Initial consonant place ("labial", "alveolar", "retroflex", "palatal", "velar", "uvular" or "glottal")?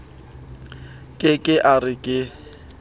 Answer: velar